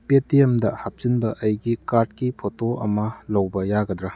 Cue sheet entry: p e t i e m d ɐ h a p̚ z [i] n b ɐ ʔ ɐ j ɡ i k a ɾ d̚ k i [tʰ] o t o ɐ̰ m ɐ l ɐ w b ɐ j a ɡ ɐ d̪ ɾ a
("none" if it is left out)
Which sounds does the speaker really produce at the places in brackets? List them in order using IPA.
i, pʰ

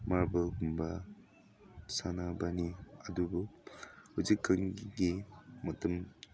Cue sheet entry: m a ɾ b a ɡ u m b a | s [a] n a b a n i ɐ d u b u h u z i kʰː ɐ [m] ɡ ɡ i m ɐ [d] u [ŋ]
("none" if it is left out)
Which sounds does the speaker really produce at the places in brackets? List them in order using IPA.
a, ŋ, t, m

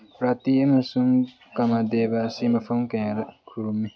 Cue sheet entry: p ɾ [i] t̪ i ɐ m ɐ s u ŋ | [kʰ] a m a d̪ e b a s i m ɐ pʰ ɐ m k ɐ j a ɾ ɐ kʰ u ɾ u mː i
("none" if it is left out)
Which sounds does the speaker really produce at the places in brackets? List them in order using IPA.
a, k

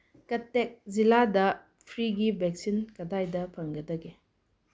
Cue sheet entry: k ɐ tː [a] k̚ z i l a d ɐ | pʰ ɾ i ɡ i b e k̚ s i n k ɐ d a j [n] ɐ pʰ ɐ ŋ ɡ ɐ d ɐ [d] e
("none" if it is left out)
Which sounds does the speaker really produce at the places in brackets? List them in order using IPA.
e, d, ɡ

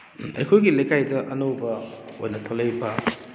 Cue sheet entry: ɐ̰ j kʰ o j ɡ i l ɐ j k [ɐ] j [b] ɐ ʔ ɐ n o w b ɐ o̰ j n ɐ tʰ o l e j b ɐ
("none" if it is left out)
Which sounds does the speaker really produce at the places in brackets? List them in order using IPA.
a, d

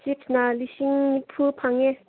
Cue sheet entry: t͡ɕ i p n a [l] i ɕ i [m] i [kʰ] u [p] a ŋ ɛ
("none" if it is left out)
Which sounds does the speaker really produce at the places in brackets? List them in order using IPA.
l, ŋ, pʰ, pʰ

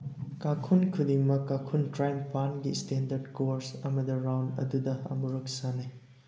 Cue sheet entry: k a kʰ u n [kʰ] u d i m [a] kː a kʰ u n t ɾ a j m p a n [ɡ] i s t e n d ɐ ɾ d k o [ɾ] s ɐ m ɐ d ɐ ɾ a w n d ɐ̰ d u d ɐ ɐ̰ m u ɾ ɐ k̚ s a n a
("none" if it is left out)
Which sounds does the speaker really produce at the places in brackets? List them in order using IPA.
kʰ, ɐ, ɡ, ɾ

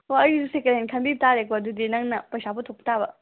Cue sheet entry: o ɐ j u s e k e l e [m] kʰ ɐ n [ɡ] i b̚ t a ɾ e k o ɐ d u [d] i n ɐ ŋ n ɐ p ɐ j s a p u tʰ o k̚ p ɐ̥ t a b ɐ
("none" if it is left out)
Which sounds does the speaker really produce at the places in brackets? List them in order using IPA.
n, b, d

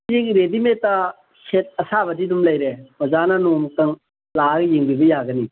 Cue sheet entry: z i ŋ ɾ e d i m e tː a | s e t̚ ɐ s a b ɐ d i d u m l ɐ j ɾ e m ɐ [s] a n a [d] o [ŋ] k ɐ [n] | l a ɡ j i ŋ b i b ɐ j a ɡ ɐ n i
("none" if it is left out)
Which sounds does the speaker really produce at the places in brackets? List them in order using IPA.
z, n, m, ŋ

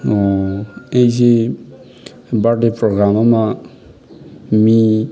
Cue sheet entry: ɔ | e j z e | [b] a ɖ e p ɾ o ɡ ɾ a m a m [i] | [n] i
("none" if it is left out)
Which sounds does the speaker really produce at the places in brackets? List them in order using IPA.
b, a, m

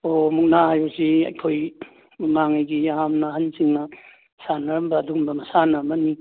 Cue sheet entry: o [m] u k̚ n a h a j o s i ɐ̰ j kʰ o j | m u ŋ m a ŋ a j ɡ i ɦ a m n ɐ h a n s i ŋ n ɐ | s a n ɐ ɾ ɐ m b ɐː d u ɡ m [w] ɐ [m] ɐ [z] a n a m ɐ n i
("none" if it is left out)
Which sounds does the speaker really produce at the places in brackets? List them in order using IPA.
m, b, m, s

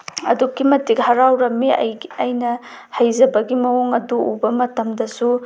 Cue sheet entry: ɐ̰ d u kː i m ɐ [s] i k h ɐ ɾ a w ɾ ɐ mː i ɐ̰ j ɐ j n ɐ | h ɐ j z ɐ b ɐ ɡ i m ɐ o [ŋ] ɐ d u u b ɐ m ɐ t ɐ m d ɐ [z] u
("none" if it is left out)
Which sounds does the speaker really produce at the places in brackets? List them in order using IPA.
t, ŋ, s

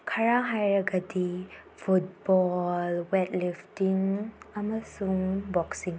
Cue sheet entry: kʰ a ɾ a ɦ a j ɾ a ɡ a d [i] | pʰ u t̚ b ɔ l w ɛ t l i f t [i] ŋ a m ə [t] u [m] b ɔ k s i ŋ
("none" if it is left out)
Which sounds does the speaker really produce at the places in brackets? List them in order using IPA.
i, i, s, ŋ

